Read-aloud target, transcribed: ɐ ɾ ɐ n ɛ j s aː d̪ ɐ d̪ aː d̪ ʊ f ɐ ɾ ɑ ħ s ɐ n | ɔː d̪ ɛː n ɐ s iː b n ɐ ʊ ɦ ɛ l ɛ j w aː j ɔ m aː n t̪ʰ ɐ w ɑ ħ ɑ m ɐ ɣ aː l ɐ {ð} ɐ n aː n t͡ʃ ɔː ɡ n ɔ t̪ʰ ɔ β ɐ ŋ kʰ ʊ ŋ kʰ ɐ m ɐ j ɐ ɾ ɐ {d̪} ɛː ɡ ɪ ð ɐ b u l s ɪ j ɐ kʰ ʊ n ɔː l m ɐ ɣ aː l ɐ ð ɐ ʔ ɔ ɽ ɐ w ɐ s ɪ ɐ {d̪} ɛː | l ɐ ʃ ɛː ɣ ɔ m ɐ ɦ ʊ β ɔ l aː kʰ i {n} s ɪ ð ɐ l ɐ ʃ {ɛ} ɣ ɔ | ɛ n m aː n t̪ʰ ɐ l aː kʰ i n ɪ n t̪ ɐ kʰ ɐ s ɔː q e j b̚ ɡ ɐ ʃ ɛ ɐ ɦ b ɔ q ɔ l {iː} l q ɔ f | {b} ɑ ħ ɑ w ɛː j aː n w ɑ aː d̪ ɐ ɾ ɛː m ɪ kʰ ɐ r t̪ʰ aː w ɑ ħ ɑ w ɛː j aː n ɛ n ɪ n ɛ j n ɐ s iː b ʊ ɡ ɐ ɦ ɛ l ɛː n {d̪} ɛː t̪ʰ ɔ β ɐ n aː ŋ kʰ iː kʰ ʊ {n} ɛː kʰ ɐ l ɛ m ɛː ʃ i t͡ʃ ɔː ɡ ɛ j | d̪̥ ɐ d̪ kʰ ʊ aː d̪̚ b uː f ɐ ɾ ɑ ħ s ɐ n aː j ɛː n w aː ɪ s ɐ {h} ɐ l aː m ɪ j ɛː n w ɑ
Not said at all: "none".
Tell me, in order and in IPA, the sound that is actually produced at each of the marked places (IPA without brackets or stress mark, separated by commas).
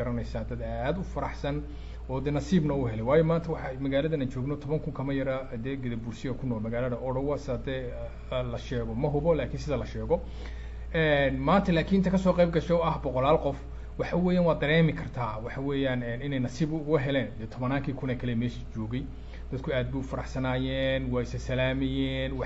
ð, d̪, d̪, n, ɛː, aː, w, d̪, n, s